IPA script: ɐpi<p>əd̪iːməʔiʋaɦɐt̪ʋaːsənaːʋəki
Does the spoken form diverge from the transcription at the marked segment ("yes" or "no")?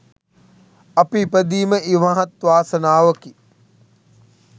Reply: no